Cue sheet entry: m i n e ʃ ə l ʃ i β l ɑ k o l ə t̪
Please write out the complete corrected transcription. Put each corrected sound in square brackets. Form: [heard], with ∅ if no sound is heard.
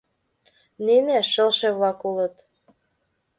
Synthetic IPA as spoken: [n] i n e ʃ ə l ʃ [e] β l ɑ k [u] l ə t̪